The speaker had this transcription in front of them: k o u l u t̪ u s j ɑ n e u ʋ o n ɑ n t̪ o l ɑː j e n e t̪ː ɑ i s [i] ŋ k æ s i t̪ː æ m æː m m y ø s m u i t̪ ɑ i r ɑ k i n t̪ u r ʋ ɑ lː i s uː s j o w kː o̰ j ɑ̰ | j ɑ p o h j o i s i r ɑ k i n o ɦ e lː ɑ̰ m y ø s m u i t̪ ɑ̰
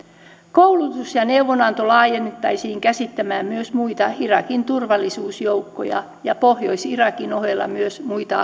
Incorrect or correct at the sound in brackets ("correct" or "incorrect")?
incorrect